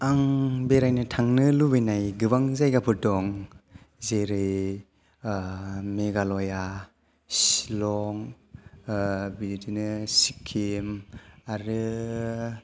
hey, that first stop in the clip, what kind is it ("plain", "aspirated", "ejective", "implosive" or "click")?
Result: plain